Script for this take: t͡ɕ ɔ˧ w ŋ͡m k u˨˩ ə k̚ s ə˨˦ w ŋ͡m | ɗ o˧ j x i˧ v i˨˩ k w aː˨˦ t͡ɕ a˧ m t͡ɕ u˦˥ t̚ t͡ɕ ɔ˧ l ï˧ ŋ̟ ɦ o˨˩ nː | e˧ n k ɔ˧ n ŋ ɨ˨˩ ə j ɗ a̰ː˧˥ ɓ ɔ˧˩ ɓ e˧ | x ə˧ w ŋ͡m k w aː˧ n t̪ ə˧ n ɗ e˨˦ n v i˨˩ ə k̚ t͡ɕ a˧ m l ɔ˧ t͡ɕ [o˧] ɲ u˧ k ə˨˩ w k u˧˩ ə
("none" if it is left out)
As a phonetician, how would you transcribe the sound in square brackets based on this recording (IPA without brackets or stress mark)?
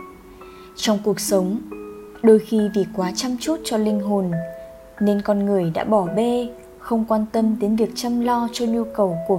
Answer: ɔ˧